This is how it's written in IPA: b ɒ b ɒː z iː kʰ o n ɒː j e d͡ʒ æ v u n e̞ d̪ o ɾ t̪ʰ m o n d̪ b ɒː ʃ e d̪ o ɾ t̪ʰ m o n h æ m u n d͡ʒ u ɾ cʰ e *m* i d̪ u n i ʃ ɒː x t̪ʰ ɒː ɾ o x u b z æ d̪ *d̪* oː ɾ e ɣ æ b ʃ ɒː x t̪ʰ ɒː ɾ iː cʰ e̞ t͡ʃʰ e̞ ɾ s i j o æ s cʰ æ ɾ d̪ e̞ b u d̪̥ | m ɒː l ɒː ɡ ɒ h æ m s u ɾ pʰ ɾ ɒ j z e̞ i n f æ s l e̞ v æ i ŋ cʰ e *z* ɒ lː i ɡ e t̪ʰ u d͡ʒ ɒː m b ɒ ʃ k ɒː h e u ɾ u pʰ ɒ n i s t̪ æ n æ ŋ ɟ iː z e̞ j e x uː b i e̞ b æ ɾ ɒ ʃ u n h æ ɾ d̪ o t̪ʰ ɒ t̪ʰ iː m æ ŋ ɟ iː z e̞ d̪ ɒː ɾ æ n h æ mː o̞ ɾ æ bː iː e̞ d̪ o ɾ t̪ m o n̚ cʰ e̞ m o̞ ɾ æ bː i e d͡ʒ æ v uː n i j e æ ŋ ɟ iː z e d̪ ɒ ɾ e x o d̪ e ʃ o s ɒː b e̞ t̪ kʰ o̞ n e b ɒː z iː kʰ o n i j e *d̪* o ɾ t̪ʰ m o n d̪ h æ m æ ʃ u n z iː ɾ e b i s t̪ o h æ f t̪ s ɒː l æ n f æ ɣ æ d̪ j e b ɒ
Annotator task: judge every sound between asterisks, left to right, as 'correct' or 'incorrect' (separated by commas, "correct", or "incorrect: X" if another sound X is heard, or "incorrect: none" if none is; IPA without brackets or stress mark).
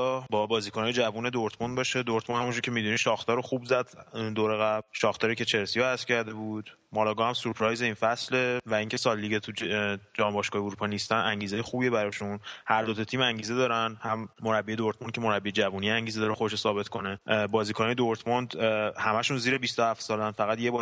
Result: correct, correct, incorrect: s, correct